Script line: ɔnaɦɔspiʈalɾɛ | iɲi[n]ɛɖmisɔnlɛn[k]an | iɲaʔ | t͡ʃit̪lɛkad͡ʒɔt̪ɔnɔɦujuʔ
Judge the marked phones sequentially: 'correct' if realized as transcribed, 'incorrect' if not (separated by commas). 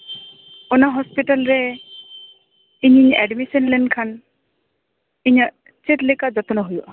incorrect, incorrect